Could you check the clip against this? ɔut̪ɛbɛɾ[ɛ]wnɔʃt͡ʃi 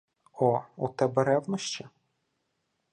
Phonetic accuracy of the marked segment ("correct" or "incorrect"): correct